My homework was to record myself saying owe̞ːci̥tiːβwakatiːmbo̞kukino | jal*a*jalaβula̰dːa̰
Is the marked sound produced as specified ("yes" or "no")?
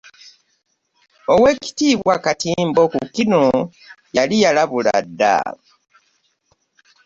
no